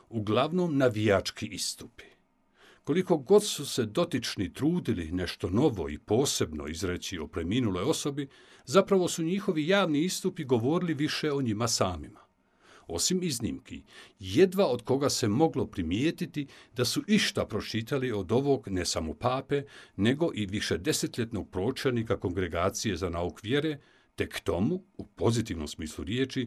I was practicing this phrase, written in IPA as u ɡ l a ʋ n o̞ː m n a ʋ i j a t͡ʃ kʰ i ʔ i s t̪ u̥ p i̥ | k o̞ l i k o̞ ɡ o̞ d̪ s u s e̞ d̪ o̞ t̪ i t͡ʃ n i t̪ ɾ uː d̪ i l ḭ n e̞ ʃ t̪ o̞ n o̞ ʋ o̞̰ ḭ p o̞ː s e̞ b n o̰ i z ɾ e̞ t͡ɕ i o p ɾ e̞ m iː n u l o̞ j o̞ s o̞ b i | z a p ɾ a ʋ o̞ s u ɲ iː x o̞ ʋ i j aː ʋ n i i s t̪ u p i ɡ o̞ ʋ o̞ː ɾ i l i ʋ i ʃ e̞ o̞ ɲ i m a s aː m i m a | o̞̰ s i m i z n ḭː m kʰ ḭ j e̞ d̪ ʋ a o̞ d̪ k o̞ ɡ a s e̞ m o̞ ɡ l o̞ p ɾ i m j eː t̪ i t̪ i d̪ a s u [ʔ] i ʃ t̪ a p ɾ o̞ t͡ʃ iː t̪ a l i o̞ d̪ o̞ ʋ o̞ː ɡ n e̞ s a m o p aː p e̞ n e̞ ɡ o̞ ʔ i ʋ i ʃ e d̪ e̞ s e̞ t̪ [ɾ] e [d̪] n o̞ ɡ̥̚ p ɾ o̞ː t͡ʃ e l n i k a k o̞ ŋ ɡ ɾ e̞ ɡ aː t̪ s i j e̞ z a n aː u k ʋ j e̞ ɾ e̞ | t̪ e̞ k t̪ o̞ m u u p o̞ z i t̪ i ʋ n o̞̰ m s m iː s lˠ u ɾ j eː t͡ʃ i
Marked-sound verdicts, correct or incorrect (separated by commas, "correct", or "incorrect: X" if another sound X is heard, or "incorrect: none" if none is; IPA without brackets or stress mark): correct, incorrect: ʎ, incorrect: t̪